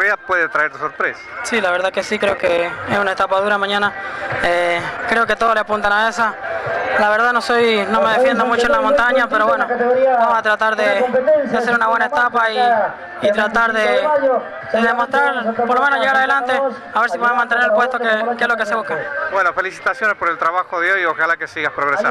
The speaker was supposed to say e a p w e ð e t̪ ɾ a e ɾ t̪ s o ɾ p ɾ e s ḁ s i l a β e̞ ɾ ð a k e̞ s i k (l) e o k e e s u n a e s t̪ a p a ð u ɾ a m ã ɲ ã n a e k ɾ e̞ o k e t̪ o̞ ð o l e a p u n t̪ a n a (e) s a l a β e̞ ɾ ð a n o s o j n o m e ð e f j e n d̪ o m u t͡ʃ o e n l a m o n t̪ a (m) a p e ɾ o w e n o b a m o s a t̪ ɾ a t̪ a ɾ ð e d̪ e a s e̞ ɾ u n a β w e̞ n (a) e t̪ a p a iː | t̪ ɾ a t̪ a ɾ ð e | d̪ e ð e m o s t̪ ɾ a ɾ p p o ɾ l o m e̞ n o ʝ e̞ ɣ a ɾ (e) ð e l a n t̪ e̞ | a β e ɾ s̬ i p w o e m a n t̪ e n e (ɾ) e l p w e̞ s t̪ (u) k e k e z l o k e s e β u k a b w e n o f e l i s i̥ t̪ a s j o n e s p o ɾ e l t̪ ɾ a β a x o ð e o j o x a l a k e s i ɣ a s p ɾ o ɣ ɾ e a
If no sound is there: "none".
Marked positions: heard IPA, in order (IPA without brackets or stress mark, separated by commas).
ɾ, e, ɲ, a, a, ɾ, o